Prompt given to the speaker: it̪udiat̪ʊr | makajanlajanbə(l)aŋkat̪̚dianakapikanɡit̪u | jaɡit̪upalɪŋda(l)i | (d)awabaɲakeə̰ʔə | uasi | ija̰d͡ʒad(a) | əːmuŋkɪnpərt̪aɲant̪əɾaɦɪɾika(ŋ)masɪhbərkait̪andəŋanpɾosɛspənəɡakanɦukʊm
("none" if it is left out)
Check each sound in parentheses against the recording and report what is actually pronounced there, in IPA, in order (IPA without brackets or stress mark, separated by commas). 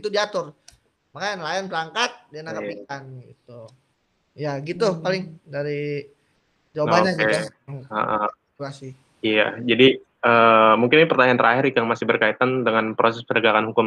ɾ, ɾ, d͡ʒ, i, ŋ